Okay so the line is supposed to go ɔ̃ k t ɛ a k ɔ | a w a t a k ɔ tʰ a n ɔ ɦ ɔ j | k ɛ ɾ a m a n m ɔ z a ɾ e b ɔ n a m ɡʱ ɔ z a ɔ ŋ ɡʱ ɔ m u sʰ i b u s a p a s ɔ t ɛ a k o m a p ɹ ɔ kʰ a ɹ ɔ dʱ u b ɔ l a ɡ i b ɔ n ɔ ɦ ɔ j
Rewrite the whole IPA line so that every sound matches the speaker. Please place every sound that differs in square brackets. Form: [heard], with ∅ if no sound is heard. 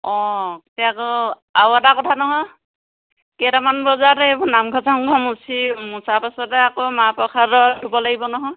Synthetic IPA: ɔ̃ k t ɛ a k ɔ | a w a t a k ɔ tʰ a n ɔ ɦ ɔ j | k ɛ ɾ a m a n [b] ɔ z a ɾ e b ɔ n a m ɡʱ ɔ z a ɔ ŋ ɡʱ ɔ m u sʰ i [m] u s a p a s ɔ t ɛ a k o m a p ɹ ɔ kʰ a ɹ ɔ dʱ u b ɔ l a ɡ i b ɔ n ɔ ɦ ɔ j